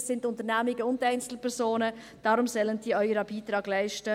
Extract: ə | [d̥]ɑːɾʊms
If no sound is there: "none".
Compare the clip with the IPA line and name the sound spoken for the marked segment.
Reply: d̥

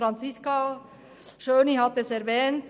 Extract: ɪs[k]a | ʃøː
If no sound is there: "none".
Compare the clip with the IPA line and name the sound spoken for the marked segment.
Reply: k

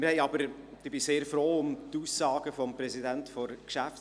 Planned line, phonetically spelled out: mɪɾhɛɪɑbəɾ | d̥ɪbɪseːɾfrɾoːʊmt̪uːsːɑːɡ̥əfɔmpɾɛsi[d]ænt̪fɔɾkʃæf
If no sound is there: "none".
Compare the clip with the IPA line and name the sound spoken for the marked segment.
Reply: d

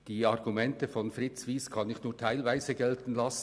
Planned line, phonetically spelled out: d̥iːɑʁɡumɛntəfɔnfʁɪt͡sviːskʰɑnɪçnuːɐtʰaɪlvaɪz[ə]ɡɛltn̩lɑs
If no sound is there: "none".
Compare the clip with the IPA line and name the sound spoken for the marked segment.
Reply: ə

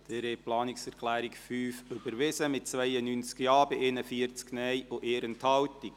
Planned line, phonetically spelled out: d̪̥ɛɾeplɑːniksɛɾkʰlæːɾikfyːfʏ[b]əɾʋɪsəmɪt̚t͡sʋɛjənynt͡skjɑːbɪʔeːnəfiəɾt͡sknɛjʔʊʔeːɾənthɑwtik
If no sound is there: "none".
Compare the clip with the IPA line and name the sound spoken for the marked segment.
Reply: b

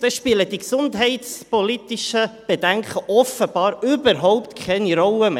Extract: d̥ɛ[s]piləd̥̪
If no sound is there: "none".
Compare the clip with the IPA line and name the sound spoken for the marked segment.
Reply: ʃ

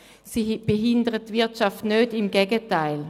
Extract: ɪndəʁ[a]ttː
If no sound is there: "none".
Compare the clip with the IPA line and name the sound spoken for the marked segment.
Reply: ə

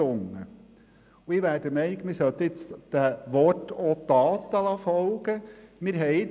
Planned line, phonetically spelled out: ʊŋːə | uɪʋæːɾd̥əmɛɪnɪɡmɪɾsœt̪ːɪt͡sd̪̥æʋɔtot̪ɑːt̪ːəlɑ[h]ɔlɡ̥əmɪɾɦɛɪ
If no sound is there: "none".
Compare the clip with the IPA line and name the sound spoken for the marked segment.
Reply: f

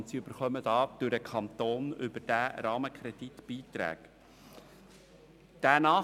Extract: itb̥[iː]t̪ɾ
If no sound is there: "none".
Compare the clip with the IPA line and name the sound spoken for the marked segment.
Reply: iː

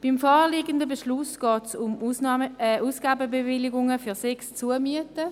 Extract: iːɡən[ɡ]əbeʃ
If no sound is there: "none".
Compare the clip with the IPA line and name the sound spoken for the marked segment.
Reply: d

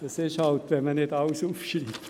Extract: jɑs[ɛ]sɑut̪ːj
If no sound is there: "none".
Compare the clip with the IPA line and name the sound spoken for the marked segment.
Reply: e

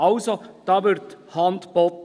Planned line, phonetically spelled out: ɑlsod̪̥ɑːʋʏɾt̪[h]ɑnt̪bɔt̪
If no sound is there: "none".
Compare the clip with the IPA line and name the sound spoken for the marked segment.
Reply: h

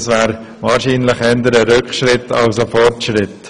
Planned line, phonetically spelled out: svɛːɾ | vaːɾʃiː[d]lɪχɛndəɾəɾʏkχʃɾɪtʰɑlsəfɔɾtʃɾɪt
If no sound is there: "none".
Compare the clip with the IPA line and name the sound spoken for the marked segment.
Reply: n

